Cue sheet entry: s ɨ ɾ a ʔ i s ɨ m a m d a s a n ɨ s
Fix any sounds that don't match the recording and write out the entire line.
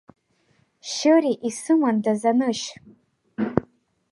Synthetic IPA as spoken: ʃ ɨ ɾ i ʔ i s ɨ m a n d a z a n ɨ ʃ